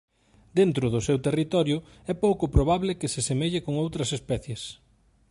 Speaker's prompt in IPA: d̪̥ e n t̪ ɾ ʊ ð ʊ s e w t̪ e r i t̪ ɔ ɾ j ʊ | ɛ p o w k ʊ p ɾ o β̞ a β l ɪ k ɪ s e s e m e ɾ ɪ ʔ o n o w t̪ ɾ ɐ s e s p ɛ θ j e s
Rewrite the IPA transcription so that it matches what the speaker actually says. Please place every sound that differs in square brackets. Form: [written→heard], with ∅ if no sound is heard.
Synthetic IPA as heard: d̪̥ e n t̪ ɾ ʊ ð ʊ s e w t̪ e r i t̪ ɔ ɾ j ʊ | ɛ p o w k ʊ p ɾ o β̞ a β l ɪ k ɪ s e s e m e [ɾ→ʎ] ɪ [ʔ→k] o [n→ŋ] o w t̪ ɾ ɐ s e s p ɛ θ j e s